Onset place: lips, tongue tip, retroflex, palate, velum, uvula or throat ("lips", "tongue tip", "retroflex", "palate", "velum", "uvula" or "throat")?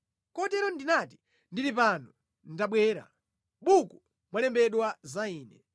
velum